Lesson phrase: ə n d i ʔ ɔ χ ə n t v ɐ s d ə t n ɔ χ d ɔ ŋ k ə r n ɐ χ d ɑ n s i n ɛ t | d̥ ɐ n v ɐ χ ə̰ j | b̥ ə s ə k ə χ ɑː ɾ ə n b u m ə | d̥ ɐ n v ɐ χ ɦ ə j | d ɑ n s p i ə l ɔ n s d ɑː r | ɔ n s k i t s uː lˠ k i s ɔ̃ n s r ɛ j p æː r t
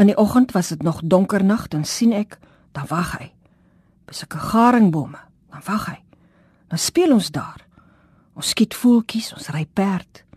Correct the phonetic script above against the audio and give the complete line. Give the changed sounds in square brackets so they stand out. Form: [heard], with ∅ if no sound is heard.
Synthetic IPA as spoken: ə n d i ʔ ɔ χ ə n t v ɐ s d ə t n ɔ χ d ɔ ŋ k ə r n ɐ χ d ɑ n s i n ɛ [k] | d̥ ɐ n v ɐ χ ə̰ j | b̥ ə s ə k ə χ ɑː ɾ ə [ŋ] b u m ə | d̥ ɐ n v ɐ χ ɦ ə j | d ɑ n s p i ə l ɔ n s d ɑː r | ɔ n s k i t [f] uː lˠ k i s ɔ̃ n s r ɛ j p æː r t